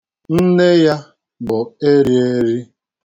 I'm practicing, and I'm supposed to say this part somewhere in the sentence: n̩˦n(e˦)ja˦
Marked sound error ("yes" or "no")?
no